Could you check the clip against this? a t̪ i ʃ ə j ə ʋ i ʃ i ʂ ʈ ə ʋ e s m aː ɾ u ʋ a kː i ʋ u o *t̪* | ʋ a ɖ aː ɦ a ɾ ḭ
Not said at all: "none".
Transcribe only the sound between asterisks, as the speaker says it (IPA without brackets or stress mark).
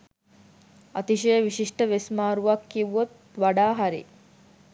t̪